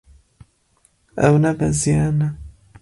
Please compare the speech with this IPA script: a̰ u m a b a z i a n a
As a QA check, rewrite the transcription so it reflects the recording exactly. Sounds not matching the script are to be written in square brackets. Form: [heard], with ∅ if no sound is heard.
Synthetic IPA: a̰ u [n] a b a z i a n a